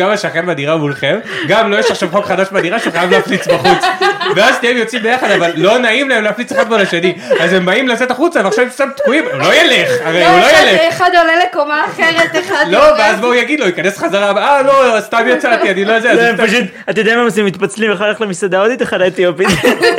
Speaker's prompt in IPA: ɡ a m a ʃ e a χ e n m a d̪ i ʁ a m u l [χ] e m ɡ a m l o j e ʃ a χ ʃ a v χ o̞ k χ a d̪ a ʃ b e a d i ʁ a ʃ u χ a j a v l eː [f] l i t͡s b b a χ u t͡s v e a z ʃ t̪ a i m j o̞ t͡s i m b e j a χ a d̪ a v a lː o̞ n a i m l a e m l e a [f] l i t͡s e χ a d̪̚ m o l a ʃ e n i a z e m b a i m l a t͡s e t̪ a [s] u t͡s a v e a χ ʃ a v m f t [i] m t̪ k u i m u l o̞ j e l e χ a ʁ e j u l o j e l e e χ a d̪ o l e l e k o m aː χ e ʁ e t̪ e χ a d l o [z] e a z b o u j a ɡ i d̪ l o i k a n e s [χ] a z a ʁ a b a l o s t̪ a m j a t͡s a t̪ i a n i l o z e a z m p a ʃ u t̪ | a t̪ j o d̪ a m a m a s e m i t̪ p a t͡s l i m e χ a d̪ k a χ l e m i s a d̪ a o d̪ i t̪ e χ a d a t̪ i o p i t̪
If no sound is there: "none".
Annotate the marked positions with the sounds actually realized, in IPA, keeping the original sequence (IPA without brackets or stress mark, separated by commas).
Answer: χ, f, f, χ, a, v, χ